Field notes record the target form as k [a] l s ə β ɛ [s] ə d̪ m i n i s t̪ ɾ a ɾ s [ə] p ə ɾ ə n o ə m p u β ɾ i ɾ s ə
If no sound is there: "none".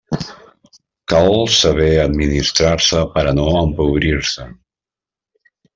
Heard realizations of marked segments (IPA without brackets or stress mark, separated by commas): a, none, ə